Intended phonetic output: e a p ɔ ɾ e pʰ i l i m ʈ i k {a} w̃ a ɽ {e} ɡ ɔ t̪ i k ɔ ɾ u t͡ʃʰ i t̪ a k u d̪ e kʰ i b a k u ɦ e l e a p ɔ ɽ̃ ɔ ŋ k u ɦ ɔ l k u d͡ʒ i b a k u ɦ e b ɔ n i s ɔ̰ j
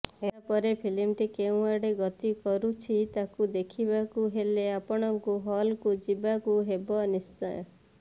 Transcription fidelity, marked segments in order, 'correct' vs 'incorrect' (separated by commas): incorrect, correct